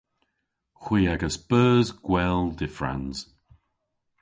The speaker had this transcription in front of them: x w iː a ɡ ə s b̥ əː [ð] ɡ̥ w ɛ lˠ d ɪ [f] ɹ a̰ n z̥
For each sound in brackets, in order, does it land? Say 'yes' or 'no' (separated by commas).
no, yes